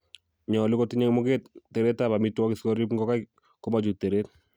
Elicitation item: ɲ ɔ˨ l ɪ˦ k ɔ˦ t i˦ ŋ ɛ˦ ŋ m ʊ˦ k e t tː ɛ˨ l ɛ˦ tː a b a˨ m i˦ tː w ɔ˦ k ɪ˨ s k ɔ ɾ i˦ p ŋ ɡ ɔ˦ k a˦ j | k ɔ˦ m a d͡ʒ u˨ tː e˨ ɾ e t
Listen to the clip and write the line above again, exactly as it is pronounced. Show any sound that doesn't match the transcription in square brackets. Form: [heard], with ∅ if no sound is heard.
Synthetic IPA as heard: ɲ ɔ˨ l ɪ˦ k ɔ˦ t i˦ [ɲ] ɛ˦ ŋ m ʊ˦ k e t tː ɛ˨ [ɾ] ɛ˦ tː a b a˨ m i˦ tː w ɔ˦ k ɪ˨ s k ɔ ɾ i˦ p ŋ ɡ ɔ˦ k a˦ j | k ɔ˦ m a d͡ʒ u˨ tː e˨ ɾ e t